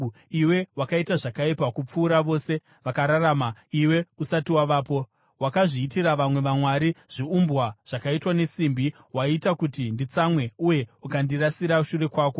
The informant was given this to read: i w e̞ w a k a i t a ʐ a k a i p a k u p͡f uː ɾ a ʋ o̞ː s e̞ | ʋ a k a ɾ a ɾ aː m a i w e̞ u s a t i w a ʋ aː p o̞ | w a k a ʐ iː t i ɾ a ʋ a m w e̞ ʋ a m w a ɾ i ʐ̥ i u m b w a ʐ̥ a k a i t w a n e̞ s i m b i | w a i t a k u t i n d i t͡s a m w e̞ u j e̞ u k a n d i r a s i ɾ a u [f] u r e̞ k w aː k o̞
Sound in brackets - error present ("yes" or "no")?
yes